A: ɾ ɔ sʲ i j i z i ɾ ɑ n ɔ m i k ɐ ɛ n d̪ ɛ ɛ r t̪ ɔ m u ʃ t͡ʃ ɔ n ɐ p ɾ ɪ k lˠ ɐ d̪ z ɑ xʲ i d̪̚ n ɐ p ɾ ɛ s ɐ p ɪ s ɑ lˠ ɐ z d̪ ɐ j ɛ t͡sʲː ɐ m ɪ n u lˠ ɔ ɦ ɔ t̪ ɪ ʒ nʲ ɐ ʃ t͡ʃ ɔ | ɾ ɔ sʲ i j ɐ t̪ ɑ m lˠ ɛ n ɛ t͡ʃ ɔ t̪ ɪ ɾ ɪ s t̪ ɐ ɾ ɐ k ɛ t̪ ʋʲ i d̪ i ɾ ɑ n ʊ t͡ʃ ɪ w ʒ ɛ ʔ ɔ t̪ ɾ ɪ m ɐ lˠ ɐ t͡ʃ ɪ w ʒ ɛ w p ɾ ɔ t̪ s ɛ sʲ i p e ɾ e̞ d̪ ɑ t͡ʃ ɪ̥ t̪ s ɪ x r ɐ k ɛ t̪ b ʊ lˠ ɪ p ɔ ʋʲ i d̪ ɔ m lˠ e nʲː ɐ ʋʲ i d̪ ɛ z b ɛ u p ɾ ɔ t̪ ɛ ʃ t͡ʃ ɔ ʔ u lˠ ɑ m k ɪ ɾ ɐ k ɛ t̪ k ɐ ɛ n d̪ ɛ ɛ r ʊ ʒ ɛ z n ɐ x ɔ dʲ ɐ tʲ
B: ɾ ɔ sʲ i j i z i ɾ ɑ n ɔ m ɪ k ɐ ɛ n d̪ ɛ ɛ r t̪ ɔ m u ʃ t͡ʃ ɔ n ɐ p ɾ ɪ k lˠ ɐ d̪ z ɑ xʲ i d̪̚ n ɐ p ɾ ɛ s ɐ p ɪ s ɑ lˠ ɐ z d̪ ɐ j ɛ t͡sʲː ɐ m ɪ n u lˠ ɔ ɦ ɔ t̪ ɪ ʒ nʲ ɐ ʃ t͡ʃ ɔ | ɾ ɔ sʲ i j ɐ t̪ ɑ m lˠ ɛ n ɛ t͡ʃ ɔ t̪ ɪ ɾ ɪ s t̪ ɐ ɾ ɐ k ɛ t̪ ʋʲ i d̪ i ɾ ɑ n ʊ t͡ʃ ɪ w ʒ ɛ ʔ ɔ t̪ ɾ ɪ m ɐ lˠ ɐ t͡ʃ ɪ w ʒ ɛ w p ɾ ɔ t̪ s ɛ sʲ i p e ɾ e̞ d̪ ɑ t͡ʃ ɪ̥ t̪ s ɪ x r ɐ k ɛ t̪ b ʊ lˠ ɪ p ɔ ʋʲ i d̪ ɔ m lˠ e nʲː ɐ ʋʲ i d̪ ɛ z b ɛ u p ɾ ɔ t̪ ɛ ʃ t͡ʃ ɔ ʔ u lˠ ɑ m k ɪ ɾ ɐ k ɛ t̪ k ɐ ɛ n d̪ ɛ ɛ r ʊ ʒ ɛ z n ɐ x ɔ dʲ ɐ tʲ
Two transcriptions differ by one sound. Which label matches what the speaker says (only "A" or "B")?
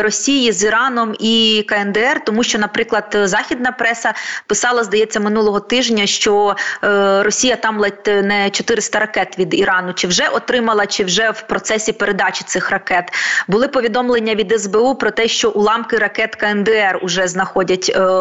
A